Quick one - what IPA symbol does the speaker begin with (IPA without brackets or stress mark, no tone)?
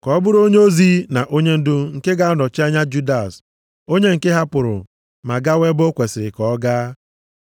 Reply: k